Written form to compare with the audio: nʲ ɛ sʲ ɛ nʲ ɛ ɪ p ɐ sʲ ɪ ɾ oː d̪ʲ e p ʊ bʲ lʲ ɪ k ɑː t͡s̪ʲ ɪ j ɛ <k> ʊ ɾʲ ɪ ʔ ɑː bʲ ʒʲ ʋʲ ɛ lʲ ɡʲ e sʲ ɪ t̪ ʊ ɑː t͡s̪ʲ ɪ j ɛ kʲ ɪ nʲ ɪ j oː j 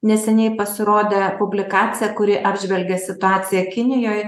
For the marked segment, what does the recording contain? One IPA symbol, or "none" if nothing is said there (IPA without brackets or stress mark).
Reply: k